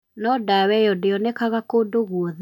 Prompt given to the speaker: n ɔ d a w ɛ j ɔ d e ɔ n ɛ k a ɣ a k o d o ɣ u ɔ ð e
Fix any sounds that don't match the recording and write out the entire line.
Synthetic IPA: n ɔ d a w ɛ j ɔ d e ɔ n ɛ k a ɣ a k o d o ɣ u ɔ ð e

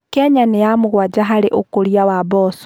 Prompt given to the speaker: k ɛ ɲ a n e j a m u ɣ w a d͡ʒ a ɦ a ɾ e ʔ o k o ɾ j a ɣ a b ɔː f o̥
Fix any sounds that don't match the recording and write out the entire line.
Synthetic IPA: k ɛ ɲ a n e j a m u ɣ w a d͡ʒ a ɦ a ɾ e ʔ o k o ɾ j a w a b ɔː s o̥

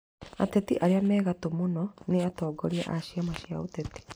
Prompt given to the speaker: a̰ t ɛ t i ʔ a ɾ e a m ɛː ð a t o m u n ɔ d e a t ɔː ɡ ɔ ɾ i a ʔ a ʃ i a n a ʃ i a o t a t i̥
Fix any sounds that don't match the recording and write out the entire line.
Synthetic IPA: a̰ t ɛ t i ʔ a ɾ e a m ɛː ɣ a t o m o n ɔ n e a t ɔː ɡ ɔ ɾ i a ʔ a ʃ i a m a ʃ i a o t ɛ t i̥

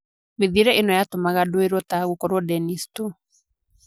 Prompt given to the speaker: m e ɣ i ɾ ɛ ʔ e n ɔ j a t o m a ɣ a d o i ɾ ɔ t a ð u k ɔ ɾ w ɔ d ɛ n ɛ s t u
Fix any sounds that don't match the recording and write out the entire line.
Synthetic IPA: m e ð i ɾ ɛ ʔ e n ɔ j a t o m a ɣ a d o e ɾ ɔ t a ɣ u k ɔ ɾ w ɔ d ɛ n i s t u

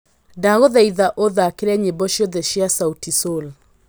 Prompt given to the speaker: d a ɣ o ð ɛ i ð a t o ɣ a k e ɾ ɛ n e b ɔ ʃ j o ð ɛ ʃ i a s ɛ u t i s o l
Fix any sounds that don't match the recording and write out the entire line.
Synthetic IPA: d a ɣ o ð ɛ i ð a ʔ o ð a k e ɾ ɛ ɲ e b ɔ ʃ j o ð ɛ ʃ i a s a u t i s o l

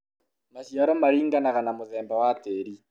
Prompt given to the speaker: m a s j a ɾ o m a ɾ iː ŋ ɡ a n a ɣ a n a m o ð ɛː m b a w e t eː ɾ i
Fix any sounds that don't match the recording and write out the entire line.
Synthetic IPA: m a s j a ɾ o m a ɾ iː ŋ ɡ a n a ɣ a n a m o ð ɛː m b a w a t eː ɾ i

